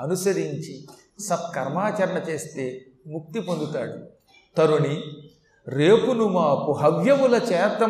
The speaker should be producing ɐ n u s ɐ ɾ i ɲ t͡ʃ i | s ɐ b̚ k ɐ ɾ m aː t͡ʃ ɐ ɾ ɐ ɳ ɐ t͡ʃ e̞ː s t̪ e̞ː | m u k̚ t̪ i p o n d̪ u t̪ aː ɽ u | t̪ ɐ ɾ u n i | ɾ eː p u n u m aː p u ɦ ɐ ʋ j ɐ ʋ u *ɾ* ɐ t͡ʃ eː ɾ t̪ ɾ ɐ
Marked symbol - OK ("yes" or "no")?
no